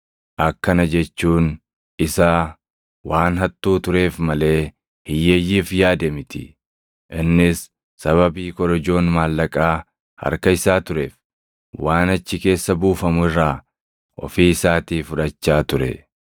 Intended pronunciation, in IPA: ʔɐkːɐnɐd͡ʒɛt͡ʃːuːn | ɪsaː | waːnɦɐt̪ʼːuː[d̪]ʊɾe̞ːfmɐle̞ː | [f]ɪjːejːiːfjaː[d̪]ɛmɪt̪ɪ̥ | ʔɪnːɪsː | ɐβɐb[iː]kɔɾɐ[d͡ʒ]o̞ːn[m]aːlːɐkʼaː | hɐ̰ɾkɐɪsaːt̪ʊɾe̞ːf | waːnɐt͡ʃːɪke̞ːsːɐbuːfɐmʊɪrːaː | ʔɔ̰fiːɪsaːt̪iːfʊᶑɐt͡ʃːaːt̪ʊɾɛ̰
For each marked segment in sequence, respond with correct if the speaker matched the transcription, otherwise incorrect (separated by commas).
incorrect, incorrect, correct, correct, correct, correct